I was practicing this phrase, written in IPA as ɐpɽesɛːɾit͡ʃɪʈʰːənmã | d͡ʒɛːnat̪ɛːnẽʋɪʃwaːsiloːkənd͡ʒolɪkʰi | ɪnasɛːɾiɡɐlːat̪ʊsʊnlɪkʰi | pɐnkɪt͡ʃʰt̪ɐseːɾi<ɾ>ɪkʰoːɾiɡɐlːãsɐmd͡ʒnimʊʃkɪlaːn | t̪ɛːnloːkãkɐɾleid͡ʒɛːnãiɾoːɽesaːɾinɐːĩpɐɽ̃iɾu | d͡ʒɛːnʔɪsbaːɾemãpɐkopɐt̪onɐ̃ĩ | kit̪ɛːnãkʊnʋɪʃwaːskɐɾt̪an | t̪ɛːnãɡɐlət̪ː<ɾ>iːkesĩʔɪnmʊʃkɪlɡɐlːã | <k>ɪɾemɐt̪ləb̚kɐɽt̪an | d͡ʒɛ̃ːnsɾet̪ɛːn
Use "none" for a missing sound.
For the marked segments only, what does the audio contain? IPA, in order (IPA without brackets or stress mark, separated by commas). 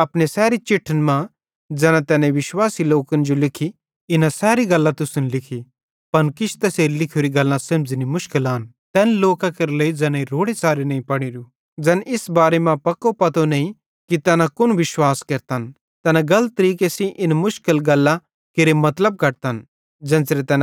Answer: l, ɾ, k